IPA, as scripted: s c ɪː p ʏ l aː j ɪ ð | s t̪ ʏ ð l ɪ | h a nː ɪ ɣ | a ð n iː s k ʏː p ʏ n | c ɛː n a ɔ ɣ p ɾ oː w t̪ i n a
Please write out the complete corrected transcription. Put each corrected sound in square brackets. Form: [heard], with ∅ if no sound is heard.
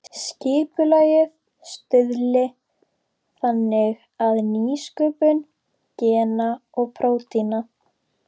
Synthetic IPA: s c ɪː p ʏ l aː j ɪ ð | s t̪ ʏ ð l ɪ | [θ] a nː ɪ ɣ | a ð n iː s k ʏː p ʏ n | c ɛː n a ɔ ɣ [pʰ] ɾ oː w t̪ i n a